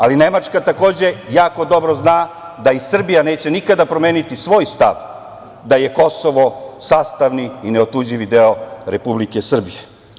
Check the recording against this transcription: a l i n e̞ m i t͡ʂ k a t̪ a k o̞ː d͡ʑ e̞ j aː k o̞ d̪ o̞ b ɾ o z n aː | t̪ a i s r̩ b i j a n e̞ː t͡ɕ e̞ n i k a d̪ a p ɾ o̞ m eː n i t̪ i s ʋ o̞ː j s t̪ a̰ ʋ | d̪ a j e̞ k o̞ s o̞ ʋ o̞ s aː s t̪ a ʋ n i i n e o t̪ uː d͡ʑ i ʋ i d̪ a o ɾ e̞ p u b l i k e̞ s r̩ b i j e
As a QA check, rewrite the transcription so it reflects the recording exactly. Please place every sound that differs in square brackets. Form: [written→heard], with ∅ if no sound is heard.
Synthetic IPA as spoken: a l i n e̞ m [i→a] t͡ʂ k a t̪ a k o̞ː d͡ʑ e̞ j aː k o̞ d̪ o̞ b ɾ o z n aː | [t̪→d̪] a i s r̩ b i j a n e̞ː t͡ɕ e̞ n i k a d̪ a p ɾ o̞ m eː n i t̪ i s ʋ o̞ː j s t̪ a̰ ʋ | d̪ a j e̞ k o̞ s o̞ ʋ o̞ s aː s t̪ a ʋ n i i n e o t̪ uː d͡ʑ i ʋ i d̪ [a→e] o ɾ e̞ p u b l i k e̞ s r̩ b i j e